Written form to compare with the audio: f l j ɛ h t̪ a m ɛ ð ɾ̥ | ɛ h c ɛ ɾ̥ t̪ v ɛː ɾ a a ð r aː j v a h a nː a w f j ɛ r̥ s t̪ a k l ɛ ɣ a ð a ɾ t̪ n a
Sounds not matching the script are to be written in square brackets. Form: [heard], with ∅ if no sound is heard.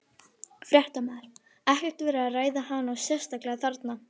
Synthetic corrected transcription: f [ɾ] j ɛ h t̪ a m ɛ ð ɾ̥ | ɛ h c ɛ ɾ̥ t̪ v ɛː ɾ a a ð r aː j [ð] a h a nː a w [s] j ɛ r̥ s t̪ a k l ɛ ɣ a [θ] a ɾ t̪ n a